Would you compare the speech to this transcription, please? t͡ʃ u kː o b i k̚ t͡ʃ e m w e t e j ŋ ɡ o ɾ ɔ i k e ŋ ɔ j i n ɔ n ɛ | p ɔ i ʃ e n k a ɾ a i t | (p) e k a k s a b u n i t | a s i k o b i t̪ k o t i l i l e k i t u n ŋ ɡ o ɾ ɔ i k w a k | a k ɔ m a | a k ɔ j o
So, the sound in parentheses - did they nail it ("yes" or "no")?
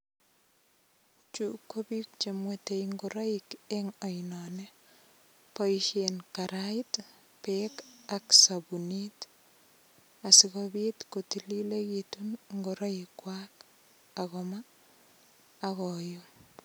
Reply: yes